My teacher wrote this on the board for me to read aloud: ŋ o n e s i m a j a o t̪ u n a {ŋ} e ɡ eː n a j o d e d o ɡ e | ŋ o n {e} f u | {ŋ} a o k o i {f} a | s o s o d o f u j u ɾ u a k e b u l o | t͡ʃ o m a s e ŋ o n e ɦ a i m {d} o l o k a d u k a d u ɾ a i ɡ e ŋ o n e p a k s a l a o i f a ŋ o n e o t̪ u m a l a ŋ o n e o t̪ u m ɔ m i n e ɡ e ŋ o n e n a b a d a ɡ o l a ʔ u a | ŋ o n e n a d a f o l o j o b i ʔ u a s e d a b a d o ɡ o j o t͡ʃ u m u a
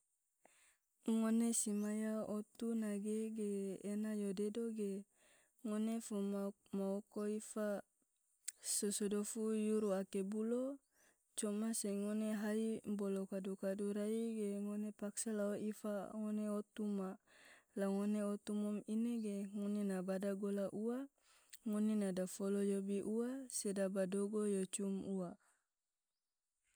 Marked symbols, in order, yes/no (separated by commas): no, yes, no, yes, no